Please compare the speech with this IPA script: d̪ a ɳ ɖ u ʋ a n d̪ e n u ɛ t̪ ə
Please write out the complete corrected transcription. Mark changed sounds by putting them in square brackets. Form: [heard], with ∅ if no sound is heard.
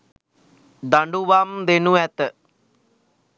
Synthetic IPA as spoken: d̪ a ɳ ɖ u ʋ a [m] d̪ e n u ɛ t̪ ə